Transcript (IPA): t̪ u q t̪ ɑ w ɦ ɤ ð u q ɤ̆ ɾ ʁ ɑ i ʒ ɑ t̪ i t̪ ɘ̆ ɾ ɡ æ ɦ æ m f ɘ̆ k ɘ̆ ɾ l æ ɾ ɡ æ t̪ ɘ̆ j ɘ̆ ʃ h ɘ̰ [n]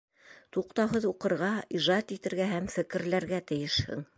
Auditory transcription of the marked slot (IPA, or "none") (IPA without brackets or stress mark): ŋ